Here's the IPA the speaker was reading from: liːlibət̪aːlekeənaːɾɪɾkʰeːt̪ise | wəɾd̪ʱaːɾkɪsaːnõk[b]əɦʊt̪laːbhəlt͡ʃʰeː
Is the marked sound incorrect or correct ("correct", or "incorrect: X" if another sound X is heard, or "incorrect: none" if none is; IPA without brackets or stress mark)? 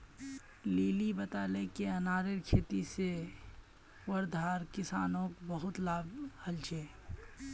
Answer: correct